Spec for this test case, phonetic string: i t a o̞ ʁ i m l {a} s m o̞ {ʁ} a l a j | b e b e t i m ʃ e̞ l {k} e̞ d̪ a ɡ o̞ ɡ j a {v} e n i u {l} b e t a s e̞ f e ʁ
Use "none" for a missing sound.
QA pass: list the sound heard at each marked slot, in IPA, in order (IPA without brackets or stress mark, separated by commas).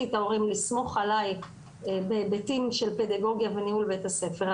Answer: i, χ, p, v, l